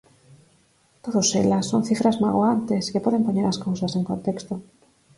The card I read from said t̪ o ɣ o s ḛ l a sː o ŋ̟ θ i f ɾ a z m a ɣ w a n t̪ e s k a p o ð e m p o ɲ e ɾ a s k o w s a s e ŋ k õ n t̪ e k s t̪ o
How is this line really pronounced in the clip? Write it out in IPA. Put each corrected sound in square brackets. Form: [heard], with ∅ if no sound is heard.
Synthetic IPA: t̪ o [ð] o s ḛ l a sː o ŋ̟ θ i f ɾ a z m a ɣ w a n t̪ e s k [e] p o ð e m p o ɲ e ɾ a s k o w s a s e ŋ k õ n t̪ e k s t̪ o

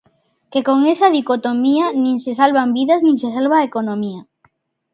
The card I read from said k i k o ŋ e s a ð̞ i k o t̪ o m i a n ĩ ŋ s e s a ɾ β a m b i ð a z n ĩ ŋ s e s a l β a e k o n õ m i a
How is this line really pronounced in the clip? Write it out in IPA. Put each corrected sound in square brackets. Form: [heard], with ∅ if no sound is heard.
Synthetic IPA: k [e] k o ŋ e s a ð̞ i k o t̪ o m i a n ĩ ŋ s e s a [l] β a m b i ð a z n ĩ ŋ s e s a l β a e k o n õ m i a

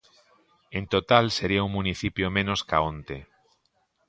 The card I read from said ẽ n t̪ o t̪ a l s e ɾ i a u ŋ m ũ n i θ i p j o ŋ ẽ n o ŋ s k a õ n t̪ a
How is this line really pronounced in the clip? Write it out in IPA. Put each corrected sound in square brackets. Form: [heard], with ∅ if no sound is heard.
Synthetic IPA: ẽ n t̪ o t̪ a l s e ɾ i a u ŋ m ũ n i θ i p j o [m] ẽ n o [∅] s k a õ n t̪ [e]

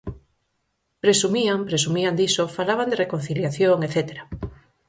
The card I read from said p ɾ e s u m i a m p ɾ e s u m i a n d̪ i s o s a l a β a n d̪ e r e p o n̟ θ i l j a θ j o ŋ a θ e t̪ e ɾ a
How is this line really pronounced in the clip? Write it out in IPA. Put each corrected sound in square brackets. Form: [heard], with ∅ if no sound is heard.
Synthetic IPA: p ɾ e s u m i a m p ɾ e s u m i a n d̪ i s o [f] a l a β a n d̪ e r e [k] o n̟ θ i l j a θ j o ŋ [e] θ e t̪ e ɾ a

